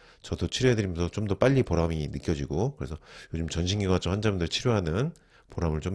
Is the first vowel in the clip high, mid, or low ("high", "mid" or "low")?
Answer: mid